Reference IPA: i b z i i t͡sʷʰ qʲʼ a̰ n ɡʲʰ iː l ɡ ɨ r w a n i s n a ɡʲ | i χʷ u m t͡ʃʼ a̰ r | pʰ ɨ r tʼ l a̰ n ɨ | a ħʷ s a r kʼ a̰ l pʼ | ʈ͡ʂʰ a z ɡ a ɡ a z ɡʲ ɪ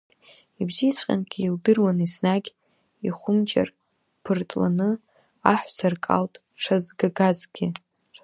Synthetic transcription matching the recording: i b z i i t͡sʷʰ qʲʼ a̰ n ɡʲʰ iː l d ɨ r w a n i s n a ɡʲ | i χʷ ʊ m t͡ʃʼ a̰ r | pʰ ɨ r tʼ l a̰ n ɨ | a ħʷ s a r kʼ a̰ l tʼ | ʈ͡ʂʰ a z ɡ a ɡ a z ɡʲ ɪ